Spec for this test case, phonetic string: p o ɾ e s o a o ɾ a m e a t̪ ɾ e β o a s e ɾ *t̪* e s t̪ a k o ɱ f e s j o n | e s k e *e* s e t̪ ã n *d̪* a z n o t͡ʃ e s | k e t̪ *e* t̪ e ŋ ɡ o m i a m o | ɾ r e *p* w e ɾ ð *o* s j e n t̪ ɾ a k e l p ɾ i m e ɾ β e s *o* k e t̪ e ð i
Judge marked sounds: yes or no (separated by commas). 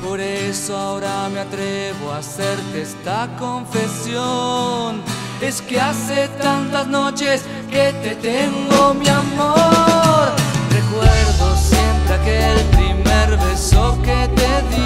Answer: yes, no, no, yes, no, yes, yes